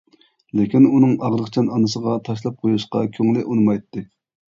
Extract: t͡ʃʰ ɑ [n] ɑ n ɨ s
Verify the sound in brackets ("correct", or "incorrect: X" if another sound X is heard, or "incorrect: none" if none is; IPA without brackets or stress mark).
correct